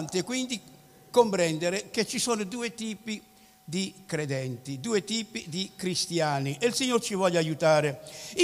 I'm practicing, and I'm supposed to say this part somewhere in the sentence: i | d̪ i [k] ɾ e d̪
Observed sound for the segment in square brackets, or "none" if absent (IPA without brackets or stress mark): k